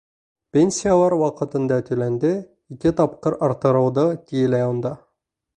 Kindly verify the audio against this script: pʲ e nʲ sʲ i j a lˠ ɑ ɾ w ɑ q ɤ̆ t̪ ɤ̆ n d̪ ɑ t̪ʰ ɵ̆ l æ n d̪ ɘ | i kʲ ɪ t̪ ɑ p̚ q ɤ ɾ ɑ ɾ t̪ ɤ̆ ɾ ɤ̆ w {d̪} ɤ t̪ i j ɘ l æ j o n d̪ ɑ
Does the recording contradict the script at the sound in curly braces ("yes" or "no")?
no